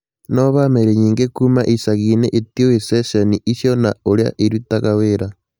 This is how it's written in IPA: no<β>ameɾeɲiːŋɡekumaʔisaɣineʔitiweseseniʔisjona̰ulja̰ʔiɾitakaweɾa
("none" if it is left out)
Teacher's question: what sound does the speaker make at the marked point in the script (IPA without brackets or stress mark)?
β